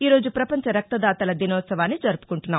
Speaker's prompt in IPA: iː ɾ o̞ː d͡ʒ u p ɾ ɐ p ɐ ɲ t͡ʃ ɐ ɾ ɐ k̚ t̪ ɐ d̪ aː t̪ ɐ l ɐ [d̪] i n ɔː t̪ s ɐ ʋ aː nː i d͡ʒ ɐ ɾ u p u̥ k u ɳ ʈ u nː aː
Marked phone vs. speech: correct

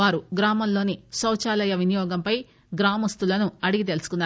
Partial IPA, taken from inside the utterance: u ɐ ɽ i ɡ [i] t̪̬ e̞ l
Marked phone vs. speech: correct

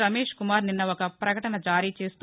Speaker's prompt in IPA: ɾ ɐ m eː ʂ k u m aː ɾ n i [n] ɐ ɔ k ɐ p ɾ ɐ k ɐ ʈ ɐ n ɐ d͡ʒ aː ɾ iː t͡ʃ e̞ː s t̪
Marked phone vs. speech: incorrect: nː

